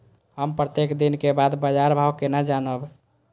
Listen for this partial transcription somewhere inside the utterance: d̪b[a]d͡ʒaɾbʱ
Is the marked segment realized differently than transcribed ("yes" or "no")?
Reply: yes